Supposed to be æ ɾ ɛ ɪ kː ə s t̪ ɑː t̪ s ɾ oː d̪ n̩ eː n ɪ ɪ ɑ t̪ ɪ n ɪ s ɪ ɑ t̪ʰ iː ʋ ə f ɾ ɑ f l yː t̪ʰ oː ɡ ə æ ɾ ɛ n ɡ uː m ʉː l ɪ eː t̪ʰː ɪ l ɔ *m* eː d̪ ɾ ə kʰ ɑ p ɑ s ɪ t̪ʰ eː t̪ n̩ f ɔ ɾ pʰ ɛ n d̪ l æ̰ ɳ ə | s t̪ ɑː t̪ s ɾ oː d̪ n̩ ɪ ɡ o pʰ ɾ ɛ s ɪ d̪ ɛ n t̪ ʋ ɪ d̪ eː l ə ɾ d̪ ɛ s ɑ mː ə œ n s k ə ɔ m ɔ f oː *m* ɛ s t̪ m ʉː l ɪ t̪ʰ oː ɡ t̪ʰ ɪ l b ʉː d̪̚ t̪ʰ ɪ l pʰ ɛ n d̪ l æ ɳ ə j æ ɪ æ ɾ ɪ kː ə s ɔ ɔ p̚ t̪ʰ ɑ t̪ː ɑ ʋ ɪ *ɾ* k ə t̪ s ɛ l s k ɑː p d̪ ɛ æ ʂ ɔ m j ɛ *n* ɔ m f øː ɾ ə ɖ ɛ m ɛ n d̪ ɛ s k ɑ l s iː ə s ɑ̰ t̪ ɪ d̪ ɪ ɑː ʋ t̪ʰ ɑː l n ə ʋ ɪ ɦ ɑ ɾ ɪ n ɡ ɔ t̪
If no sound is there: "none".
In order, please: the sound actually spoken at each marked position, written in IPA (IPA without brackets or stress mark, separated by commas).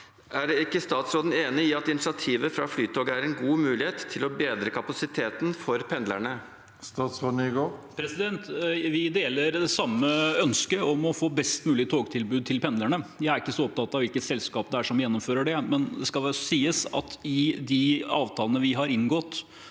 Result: b, b, l, nː